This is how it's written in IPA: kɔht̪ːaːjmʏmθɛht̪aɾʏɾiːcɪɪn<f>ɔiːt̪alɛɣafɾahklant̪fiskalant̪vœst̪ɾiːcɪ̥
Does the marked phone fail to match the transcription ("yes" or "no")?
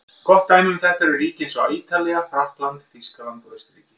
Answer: yes